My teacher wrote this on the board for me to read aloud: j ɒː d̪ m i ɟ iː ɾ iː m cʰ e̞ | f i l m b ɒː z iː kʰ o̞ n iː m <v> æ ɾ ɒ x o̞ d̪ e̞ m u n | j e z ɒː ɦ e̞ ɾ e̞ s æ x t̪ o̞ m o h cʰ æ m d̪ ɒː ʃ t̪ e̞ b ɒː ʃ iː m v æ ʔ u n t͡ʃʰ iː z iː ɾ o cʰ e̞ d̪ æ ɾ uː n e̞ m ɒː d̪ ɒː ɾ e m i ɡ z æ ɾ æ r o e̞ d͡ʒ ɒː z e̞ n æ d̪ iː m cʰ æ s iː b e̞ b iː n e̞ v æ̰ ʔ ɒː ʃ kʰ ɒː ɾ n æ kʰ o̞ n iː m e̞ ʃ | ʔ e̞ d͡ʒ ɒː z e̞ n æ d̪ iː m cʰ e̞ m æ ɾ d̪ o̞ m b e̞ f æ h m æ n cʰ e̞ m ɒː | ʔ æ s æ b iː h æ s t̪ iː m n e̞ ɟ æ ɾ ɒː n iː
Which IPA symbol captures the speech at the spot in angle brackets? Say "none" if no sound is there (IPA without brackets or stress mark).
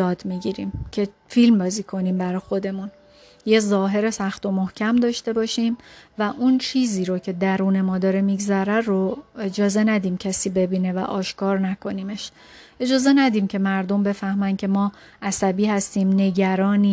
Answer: b